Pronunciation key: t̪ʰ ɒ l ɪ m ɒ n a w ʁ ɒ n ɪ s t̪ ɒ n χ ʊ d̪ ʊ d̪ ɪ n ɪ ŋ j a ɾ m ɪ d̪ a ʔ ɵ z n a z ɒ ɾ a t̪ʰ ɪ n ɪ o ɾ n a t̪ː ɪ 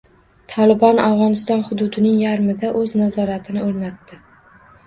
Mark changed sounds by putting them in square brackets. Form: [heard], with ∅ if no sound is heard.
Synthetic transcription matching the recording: t̪ʰ ɒ l ɪ [b] ɒ n a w ʁ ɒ n ɪ s t̪ ɒ n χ ʊ d̪ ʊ d̪ ɪ n ɪ ŋ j a ɾ m ɪ d̪ a ʔ ɵ z n a z ɒ ɾ a t̪ʰ ɪ n ɪ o ɾ n a t̪ː ɪ